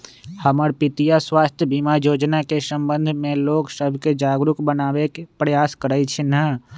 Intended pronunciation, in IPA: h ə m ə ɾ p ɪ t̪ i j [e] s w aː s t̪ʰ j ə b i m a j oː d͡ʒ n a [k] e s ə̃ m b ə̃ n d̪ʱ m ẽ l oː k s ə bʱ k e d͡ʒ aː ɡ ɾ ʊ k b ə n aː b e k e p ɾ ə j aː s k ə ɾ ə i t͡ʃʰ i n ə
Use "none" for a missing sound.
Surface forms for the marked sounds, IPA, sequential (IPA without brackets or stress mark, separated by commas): a, k